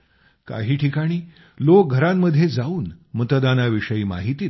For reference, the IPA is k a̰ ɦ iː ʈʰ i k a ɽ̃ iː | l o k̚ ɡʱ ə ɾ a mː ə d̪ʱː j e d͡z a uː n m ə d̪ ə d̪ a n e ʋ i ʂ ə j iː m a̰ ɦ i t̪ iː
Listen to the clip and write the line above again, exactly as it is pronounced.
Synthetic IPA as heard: k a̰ ɦ iː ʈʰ i k a ɽ̃ iː | l o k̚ ɡʱ ə ɾ a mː ə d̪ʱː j e d͡z a uː n m ə t̪ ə d̪ a n a ʋ i ʂ ə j iː m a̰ ɦ i t̪ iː